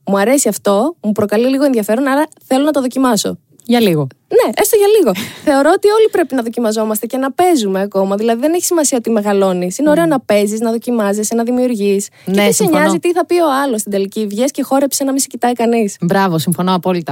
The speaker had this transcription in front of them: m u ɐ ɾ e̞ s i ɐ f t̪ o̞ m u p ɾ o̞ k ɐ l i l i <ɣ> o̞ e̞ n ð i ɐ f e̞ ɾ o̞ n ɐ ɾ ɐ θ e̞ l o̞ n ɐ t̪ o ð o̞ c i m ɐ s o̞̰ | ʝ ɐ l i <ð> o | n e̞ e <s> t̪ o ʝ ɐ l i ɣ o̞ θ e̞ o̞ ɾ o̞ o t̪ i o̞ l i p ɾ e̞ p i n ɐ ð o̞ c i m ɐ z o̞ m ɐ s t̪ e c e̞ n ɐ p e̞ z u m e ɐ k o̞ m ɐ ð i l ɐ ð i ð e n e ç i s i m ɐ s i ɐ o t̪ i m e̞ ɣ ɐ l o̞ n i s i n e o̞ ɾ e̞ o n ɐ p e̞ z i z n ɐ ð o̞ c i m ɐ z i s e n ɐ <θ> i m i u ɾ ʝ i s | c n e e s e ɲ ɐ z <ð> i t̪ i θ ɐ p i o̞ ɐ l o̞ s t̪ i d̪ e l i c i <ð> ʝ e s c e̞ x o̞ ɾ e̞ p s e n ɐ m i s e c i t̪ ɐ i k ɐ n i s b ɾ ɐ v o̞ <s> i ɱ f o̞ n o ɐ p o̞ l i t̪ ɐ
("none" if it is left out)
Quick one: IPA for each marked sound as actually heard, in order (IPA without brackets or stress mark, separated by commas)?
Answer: ɣ, ɣ, s, ð, z, v, s